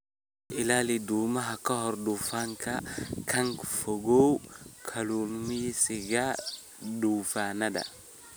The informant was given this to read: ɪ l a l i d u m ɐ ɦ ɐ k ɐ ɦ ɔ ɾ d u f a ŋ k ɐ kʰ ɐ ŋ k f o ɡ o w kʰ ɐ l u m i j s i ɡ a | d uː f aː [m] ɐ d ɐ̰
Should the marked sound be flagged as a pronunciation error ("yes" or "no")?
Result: yes